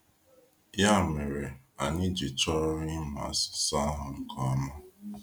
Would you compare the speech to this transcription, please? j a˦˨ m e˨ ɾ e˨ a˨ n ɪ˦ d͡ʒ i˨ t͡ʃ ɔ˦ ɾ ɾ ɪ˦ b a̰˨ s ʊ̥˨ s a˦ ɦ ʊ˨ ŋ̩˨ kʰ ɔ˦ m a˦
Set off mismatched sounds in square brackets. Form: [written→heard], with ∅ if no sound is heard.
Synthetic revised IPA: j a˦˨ m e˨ ɾ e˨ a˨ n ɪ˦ d͡ʒ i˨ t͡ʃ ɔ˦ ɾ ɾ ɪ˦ [b→m] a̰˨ s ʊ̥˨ s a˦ ɦ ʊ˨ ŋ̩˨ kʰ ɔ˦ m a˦